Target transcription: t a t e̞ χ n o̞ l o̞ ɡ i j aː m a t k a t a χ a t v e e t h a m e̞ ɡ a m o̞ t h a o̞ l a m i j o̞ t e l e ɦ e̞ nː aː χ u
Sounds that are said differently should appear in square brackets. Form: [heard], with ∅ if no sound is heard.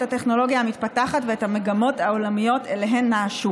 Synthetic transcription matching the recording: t a t e̞ χ n o̞ l o̞ ɡ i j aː m [i] t [p] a t a χ a t v e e t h a m e̞ ɡ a m o̞ t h a o̞ l a m i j o̞ t e l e ɦ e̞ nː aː [ʃ] u